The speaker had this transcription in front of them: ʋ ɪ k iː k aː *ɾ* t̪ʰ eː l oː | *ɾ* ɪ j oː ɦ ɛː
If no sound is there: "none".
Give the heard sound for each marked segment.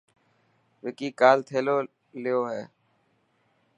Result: l, l

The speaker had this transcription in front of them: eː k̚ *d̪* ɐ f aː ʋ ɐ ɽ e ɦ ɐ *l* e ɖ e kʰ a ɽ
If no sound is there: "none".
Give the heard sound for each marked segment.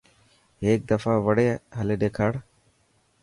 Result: d̪, l

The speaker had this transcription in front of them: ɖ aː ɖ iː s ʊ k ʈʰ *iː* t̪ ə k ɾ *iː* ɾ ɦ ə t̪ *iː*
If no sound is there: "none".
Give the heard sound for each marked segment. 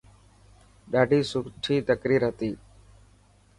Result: iː, iː, iː

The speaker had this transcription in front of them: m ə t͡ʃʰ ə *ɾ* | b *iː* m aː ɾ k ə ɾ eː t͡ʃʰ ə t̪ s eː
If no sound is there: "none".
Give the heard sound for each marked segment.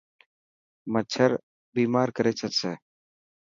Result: ɾ, iː

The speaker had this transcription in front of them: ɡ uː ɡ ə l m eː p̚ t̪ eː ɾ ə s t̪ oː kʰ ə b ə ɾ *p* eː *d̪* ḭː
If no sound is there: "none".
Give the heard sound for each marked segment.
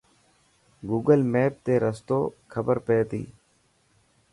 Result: p, t̪

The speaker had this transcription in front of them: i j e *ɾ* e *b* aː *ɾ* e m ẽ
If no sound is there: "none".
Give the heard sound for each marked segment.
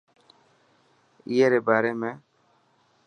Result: ɾ, b, ɾ

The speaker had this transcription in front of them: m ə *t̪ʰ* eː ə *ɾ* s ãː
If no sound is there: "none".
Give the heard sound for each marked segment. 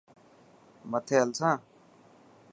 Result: t̪ʰ, l

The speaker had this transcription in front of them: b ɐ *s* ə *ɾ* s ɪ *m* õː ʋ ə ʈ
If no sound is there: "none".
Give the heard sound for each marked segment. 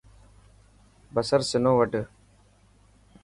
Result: s, ɾ, n

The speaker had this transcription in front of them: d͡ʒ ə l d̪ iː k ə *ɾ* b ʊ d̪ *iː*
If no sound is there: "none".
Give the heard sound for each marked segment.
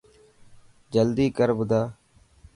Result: ɾ, aː

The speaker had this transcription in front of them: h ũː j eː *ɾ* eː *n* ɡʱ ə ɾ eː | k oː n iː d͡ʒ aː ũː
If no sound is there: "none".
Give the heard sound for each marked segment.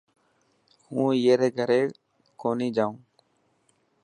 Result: ɾ, none

